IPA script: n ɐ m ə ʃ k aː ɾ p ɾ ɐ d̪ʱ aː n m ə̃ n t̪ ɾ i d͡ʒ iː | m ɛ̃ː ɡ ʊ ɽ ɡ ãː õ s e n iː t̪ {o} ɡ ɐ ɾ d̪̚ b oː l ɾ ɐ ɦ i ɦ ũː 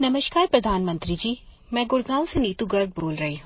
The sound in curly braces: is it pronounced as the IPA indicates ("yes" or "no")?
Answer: no